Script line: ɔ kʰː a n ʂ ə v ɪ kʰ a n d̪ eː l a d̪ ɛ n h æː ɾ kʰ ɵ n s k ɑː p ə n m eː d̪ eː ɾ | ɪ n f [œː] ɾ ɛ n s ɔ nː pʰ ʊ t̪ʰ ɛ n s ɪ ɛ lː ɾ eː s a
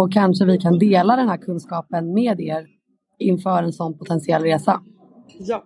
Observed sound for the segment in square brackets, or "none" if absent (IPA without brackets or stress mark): œː